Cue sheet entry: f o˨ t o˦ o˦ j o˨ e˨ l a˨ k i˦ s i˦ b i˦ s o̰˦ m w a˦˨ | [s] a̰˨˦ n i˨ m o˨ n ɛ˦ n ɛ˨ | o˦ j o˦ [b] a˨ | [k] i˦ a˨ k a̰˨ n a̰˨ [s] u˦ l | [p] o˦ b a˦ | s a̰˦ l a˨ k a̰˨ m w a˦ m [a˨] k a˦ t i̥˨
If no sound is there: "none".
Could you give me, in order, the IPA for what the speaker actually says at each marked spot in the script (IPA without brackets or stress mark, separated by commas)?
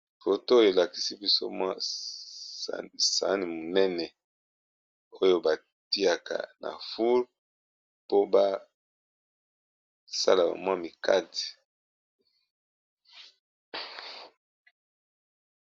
s, b, t, f, p, i˨